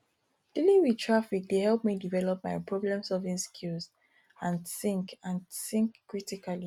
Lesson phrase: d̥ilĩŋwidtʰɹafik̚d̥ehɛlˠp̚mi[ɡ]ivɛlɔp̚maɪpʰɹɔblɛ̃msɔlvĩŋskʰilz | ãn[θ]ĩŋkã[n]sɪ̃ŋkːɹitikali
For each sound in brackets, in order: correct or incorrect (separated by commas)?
incorrect, incorrect, correct